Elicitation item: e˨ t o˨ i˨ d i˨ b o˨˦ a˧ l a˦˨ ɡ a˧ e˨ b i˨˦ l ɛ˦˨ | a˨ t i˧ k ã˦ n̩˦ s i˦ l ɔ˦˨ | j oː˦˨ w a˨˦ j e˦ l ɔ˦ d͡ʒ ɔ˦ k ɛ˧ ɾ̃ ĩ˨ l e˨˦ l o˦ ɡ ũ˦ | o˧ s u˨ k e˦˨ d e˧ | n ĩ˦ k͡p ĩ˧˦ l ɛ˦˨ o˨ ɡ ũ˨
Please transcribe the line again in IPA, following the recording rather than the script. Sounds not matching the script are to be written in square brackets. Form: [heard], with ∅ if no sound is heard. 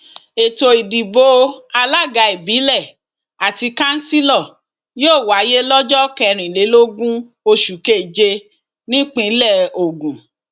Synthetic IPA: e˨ t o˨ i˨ d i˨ b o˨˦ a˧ l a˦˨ ɡ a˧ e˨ b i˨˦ l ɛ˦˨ | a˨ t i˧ k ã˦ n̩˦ s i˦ l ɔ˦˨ | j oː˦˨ w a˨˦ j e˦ l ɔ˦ d͡ʒ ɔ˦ k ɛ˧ ɾ̃ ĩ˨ l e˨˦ l o˦ ɡ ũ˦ | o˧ [ʃ] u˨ k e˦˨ [d͡ʒ] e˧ | n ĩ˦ k͡p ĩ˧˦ l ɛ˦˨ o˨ ɡ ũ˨